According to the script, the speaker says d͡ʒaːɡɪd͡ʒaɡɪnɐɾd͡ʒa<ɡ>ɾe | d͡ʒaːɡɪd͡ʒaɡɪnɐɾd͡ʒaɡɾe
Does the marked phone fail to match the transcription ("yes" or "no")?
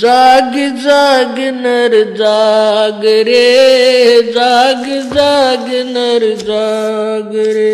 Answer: no